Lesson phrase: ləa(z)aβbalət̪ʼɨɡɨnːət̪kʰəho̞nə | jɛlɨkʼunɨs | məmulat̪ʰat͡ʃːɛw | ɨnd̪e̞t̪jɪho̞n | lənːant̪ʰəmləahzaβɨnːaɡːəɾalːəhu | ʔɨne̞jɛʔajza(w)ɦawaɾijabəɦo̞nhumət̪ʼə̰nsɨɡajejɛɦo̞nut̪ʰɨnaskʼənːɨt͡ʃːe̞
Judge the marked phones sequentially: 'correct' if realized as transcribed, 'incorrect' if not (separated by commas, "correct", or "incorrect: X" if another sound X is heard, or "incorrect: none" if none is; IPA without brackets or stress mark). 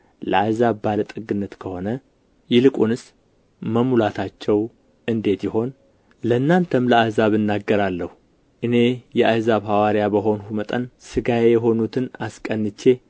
correct, incorrect: β